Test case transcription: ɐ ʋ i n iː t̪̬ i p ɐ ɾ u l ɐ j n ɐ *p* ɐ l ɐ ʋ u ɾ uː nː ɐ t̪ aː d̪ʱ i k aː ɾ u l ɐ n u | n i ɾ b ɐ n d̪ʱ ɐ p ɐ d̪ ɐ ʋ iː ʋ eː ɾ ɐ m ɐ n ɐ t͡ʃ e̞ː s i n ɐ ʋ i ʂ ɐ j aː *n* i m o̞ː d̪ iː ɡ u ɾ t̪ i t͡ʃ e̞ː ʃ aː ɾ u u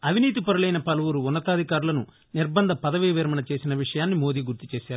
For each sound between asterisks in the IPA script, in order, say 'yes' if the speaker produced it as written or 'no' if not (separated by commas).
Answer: yes, no